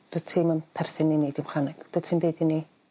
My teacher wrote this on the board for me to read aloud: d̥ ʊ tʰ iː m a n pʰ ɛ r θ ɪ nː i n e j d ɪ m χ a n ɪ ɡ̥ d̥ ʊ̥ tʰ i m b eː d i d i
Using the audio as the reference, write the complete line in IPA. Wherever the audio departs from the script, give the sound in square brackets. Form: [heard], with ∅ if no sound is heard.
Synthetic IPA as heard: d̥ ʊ tʰ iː m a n pʰ ɛ r θ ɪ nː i n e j d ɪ m χ a n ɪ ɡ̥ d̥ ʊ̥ tʰ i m b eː d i [n] i